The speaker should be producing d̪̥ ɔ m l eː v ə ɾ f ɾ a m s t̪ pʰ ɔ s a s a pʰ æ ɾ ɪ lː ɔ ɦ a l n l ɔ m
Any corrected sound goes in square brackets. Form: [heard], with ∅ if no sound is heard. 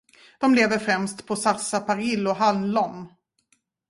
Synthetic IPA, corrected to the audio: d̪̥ ɔ m l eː v ə ɾ f ɾ [ɛ] m s t̪ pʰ ɔ s a s a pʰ [a] ɾ ɪ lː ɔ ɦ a l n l ɔ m